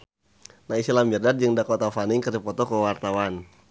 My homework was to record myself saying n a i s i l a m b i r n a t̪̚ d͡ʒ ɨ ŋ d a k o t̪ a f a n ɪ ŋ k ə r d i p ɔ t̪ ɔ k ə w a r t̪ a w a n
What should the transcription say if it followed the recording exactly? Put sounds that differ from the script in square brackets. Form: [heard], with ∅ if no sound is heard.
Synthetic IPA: n a i s i l a m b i r [d] a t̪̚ d͡ʒ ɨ ŋ d a k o t̪ a f a n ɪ ŋ k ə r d i p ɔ t̪ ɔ k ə w a r t̪ a w a n